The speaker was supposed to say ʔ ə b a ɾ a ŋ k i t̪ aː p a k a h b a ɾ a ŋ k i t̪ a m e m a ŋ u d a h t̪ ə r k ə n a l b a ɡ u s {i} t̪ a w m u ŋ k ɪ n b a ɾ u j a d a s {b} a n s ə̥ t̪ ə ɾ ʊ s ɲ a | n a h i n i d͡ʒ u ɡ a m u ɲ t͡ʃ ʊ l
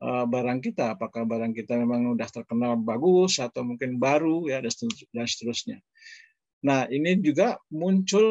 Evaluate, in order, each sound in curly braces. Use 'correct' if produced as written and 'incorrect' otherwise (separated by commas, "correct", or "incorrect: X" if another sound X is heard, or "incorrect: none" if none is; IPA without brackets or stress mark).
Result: incorrect: a, incorrect: d